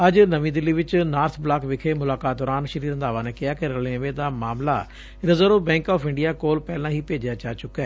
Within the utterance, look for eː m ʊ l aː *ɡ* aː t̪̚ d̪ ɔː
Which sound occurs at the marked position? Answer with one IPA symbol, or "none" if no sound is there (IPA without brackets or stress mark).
k